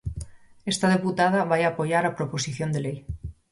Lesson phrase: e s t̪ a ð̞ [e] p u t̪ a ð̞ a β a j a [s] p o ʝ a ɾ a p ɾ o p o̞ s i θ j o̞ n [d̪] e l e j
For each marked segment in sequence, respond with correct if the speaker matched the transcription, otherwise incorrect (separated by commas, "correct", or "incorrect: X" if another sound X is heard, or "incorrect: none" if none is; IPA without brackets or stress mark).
correct, incorrect: none, correct